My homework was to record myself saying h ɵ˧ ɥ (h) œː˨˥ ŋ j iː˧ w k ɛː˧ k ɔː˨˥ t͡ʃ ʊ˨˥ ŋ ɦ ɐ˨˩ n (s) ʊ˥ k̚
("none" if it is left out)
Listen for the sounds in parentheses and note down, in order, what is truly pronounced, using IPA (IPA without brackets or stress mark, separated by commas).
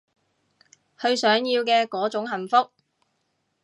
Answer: s, f